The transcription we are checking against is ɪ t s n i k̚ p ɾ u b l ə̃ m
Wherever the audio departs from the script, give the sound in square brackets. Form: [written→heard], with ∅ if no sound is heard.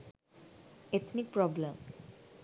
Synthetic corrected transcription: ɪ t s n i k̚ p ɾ [u→ɔ] b l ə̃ m